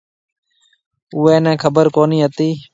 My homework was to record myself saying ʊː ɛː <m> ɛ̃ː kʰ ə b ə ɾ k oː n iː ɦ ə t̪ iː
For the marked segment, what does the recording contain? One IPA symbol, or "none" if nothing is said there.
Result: n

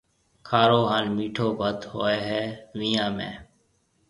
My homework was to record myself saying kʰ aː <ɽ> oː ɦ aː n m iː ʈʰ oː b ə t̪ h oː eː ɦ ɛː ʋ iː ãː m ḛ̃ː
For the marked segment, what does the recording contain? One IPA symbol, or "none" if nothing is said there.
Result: ɾ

